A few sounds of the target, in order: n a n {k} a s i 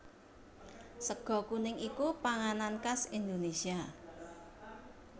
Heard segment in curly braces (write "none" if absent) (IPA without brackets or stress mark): k